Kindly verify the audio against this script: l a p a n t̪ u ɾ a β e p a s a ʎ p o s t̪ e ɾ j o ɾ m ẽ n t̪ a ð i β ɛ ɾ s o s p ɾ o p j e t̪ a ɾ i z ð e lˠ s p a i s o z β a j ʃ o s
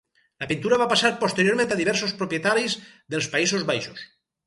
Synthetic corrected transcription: l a p i n t̪ u ɾ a β a p a s a ɾ p o s t̪ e ɾ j o ɾ m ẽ n t̪ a ð i β ɛ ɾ s o s p ɾ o p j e t̪ a ɾ i z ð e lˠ s p a i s o z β a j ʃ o s

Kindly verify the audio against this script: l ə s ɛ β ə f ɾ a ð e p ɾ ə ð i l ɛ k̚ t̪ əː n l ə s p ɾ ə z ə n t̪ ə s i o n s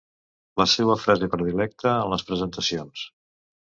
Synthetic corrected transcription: l ə s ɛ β ə f ɾ a z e p ɾ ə ð i l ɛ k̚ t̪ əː n l ə s p ɾ ə z ə n t̪ ə s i o n s

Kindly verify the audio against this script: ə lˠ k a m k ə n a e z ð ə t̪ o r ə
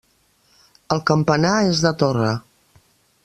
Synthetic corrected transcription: ə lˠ k ə m p ə n a e z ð ə t̪ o r ə

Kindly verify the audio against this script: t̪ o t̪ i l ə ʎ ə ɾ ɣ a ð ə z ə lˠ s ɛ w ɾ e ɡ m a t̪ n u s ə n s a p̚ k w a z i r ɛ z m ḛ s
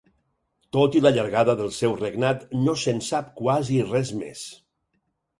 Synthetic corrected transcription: t̪ o t̪ i l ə ʎ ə ɾ ɣ a ð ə ð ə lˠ s ɛ w r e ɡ n a t̪ n o s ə n s a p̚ k w a z i r ɛ z m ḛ s

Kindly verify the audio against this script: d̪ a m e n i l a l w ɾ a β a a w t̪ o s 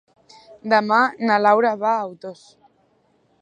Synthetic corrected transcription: d̪ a m a n a l a w ɾ a β a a w t̪ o s

